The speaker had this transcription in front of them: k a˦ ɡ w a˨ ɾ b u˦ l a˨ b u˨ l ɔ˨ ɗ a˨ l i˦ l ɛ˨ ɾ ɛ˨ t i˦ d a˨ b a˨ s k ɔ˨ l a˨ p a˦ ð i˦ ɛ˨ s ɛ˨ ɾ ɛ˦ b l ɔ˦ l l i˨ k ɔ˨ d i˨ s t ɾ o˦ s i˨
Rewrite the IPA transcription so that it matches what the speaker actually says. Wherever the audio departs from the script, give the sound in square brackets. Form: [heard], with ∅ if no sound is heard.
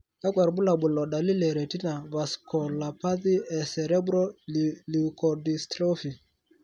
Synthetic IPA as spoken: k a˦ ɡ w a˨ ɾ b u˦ l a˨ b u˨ l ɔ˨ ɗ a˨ l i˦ l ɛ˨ ɾ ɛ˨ t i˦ [n] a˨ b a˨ s k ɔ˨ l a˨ p a˦ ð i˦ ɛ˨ s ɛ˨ ɾ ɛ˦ b [ɾ] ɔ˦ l l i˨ k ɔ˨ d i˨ s t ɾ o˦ [f] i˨